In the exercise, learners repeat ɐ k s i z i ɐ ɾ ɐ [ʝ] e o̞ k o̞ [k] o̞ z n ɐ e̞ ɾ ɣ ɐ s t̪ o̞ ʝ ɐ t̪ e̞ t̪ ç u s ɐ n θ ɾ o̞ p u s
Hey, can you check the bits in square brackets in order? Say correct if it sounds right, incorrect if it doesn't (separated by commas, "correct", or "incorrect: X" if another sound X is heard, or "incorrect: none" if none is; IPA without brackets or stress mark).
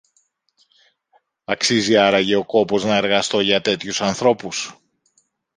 correct, incorrect: p